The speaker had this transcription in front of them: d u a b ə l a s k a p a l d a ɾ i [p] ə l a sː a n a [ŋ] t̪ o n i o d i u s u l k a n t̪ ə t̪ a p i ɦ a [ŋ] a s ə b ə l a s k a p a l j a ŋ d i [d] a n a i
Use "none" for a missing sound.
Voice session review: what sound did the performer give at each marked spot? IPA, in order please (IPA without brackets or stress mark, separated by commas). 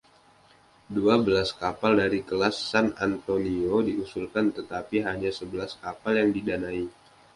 k, n, ɲ, d